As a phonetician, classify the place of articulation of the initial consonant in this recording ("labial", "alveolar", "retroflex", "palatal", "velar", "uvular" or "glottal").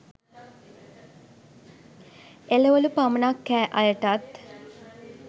alveolar